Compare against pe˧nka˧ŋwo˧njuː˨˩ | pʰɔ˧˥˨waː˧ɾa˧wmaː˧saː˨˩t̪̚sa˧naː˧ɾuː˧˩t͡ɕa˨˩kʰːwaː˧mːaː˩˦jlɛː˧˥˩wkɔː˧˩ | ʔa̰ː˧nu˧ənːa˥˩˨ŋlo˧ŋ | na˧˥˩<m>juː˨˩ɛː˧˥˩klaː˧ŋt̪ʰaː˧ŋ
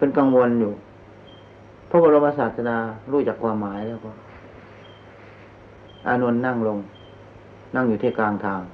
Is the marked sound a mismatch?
yes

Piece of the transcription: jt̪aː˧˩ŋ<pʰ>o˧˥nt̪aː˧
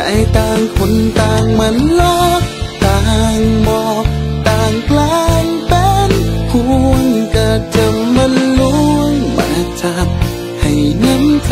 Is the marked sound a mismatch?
yes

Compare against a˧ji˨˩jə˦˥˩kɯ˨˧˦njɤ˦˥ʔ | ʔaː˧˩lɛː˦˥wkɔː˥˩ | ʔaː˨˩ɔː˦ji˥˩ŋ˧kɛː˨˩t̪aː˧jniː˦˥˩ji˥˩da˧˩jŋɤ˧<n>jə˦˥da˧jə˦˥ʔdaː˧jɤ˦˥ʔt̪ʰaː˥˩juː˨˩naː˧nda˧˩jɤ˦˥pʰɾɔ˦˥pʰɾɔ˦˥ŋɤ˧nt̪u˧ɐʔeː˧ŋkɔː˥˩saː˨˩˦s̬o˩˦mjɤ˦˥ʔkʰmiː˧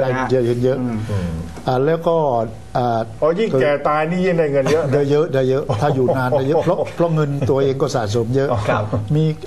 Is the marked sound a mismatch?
no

